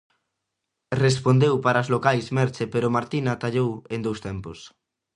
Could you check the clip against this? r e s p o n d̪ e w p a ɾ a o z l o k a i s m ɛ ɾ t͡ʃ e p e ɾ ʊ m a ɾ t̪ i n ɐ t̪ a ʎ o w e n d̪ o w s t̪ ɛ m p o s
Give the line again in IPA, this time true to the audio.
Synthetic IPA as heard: r e s p o n d̪ e w p a ɾ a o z l o k a j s m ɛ ɾ t͡ʃ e p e ɾ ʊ m a ɾ t̪ i n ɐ t̪ a ʎ o w e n d̪ o w s t̪ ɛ m p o s